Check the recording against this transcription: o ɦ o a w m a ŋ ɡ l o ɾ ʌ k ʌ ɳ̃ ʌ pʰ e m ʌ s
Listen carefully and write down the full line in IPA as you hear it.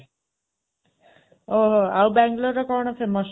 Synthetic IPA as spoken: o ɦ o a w b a ŋ ɡ l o ɾ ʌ k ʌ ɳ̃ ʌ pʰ e m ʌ s